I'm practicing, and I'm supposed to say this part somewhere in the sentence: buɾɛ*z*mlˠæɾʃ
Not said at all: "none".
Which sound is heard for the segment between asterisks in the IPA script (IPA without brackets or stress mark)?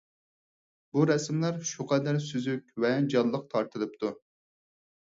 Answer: s